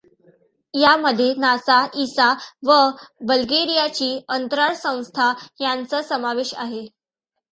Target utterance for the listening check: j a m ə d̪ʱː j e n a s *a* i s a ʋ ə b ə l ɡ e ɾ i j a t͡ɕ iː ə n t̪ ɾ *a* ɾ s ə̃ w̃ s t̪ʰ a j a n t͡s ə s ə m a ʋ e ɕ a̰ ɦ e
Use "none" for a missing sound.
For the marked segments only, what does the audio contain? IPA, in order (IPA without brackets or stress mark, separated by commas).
a, a